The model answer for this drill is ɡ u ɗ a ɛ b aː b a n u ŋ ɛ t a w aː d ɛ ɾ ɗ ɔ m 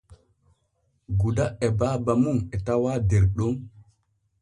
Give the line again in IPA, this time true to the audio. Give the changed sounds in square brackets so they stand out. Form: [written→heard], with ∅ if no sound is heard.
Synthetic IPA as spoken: ɡ u [ɗ→d] a ɛ b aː b a [n→m] u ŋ ɛ t a w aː d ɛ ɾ ɗ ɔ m